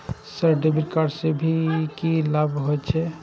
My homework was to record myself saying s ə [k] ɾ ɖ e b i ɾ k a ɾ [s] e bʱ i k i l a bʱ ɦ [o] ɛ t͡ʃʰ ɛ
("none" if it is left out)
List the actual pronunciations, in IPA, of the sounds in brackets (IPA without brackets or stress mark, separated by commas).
none, s, o